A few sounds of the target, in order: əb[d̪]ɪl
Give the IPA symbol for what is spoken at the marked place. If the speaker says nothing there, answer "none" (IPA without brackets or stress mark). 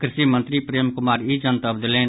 d̪